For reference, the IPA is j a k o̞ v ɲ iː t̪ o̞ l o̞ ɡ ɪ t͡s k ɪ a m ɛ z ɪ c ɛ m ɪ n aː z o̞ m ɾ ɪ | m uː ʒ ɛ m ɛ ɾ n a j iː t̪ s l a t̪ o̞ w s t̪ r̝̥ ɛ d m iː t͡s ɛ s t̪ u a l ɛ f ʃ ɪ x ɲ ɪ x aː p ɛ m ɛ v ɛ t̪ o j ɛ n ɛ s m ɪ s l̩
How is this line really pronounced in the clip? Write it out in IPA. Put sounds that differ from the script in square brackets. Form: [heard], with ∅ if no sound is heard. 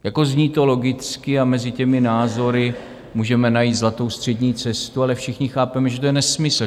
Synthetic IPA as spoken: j a k o̞ [z] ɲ iː t̪ o̞ l o̞ ɡ ɪ t͡s k ɪ a m ɛ z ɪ c ɛ m ɪ n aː z o̞ [∅] ɾ ɪ | m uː ʒ ɛ m ɛ [∅] n a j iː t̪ [z] l a t̪ o̞ w s t̪ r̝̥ ɛ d [ɲ] iː t͡s ɛ s t̪ u a l ɛ f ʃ ɪ x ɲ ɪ x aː p ɛ m ɛ [ʒ] ɛ t̪ o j ɛ n ɛ s m ɪ s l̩